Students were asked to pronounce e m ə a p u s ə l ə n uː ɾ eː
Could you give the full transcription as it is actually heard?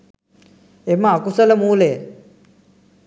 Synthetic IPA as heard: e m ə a k u s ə l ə m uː l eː